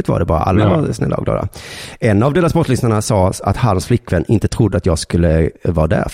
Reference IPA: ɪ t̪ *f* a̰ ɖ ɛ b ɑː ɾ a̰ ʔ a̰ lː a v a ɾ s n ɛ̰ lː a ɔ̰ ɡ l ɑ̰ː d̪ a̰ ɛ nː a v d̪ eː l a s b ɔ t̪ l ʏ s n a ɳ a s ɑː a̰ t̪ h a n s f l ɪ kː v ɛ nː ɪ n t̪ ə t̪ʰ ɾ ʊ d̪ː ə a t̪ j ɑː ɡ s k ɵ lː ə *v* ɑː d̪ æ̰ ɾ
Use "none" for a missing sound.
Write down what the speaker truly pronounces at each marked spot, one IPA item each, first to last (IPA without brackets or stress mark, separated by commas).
v, v